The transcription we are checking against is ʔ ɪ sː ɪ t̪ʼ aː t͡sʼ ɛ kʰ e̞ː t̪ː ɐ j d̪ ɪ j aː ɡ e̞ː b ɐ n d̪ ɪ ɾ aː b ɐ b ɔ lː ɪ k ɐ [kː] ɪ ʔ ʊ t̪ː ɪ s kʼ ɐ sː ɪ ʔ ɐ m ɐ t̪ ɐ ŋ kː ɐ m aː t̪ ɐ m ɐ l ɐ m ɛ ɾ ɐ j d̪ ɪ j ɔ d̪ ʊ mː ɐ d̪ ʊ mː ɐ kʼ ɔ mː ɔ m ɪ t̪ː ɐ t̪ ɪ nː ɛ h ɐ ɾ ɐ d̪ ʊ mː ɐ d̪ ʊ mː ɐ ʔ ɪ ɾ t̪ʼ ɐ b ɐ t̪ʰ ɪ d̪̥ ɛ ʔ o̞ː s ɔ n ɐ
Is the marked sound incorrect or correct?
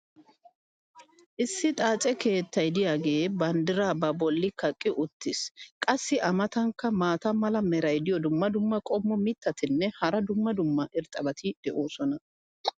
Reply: incorrect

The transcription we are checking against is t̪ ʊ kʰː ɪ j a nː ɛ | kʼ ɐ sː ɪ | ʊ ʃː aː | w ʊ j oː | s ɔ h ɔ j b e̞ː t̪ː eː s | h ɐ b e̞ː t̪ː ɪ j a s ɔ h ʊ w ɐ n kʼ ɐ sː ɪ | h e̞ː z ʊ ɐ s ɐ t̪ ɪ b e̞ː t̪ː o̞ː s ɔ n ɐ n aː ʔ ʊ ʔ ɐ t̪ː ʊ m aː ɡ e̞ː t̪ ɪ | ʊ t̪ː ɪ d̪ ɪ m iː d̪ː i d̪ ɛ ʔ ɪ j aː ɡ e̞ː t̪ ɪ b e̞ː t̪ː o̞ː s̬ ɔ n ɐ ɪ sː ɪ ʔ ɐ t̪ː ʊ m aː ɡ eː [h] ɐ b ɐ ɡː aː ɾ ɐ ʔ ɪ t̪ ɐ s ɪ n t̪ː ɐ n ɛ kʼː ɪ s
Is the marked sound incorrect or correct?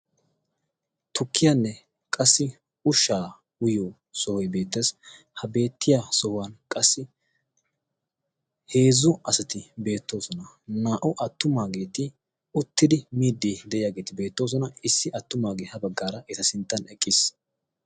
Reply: correct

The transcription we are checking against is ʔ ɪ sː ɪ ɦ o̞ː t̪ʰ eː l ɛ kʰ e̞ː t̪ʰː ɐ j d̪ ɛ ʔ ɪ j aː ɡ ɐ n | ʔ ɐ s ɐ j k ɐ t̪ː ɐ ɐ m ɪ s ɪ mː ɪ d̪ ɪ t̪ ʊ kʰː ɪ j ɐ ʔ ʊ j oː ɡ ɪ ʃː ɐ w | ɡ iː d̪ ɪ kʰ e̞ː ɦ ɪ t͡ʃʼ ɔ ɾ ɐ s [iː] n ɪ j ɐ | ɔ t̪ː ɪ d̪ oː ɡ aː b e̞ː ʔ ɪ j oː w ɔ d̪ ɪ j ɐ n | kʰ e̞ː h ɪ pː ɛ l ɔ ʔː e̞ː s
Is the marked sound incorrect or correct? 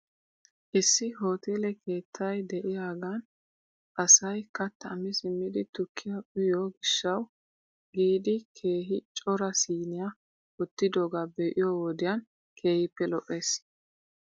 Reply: correct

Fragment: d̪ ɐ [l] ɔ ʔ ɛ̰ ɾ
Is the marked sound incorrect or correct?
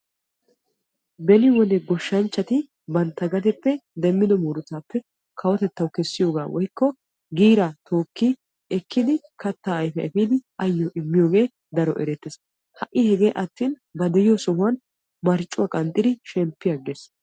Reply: incorrect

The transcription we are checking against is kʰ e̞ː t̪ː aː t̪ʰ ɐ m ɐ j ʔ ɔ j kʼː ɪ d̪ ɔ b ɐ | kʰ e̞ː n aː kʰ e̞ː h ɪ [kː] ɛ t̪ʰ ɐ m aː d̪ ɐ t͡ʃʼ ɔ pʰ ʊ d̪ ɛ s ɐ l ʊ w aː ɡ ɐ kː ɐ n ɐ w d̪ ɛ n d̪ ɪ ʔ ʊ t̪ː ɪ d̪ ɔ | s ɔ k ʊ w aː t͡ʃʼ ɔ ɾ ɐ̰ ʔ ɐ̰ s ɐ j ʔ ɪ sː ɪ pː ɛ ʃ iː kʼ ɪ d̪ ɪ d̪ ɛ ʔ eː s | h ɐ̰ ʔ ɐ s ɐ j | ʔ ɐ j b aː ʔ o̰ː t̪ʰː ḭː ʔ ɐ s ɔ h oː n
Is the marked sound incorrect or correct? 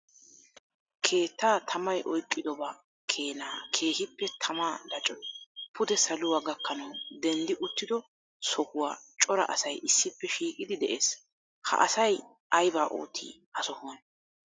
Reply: incorrect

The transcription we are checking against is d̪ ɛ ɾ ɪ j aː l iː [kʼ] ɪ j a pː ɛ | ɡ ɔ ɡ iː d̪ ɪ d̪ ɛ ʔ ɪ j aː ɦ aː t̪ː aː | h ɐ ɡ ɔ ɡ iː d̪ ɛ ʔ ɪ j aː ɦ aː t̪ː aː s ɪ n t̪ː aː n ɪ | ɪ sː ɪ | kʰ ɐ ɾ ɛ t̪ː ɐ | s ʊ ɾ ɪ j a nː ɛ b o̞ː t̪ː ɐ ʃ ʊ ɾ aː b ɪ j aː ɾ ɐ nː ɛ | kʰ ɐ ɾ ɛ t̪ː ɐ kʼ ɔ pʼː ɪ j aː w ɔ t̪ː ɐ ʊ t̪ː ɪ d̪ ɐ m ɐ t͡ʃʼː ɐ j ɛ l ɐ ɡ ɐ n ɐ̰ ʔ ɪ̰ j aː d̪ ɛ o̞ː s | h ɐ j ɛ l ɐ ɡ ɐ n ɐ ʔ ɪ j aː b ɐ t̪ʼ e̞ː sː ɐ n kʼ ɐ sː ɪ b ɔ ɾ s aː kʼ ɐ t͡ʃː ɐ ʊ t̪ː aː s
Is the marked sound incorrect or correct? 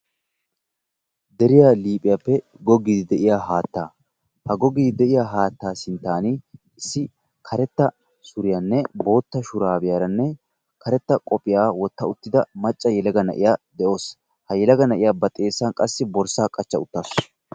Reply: incorrect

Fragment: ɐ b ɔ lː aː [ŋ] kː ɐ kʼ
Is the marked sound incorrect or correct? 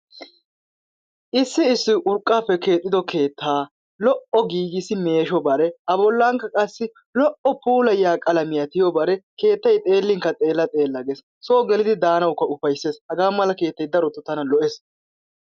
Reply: correct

